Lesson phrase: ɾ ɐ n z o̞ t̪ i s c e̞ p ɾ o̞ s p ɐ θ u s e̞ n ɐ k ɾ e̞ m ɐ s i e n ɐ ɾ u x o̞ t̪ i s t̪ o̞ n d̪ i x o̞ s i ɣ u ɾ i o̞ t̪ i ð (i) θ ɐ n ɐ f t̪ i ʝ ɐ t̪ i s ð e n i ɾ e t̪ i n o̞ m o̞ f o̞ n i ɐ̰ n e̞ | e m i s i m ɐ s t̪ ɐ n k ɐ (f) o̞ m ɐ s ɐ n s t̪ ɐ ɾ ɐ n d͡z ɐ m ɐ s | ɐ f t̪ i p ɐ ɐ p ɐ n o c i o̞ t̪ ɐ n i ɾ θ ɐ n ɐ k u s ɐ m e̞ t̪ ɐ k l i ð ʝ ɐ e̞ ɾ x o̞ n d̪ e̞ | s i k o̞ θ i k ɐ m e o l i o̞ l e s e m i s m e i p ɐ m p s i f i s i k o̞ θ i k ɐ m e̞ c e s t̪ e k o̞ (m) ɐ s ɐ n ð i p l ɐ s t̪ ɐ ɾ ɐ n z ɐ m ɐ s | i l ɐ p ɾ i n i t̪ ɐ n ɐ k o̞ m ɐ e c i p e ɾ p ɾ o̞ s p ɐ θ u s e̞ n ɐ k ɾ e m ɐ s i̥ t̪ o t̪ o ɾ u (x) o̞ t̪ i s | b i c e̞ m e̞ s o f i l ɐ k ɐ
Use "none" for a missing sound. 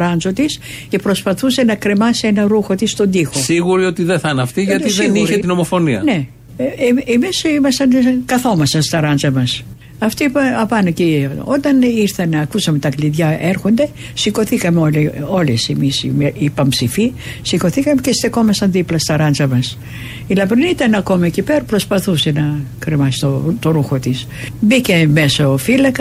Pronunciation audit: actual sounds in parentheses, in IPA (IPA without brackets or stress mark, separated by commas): e, θ, m, x